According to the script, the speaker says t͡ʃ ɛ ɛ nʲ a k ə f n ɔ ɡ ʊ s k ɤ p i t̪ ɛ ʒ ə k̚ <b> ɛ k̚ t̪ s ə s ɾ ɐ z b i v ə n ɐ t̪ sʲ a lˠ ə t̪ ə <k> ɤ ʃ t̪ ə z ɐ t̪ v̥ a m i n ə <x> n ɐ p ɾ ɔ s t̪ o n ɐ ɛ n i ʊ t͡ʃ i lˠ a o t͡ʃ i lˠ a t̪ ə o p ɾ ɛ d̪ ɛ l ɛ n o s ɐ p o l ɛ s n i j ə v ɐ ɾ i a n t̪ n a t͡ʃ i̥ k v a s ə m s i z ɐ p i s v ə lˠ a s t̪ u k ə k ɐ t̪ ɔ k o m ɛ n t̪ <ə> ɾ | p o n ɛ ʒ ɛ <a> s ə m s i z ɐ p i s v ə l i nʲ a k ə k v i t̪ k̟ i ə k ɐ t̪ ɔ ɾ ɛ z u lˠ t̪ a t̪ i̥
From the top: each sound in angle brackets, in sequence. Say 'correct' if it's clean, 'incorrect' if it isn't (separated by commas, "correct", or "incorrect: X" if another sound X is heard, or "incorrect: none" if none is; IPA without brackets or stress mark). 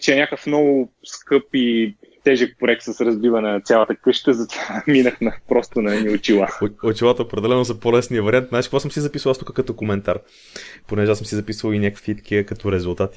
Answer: incorrect: p, correct, correct, incorrect: a, correct